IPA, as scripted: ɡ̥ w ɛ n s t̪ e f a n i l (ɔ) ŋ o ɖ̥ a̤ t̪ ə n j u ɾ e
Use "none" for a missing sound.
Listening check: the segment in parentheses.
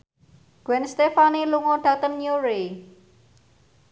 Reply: u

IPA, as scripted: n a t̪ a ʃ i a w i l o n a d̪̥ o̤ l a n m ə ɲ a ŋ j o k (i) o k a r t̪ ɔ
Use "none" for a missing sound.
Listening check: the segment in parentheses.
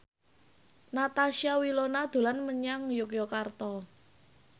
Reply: j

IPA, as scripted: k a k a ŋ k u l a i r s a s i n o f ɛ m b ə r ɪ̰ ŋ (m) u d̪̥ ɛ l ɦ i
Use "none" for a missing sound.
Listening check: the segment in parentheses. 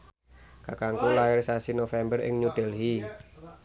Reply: ɲ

